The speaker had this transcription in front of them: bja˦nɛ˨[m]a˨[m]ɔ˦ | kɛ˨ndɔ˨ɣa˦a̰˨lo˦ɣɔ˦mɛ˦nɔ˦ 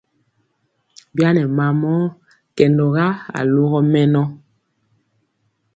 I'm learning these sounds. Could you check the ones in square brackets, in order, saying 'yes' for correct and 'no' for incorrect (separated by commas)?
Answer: yes, yes